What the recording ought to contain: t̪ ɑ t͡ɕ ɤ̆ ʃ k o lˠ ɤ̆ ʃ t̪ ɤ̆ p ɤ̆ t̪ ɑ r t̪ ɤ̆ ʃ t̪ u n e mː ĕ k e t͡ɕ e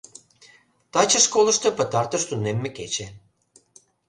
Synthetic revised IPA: t̪ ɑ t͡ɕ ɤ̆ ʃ k o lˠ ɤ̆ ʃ t̪ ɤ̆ p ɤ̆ t̪ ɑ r t̪ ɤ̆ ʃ t̪ u n e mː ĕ k e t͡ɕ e